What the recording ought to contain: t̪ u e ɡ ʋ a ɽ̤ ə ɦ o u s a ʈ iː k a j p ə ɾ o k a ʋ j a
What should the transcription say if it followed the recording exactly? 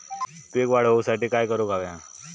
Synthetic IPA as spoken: t̪ u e k ʋ a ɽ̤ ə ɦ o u s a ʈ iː k a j k ə ɾ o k a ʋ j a